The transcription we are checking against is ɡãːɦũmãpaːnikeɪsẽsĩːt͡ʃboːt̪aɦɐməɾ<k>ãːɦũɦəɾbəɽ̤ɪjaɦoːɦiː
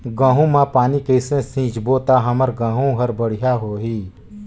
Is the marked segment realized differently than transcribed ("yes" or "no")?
yes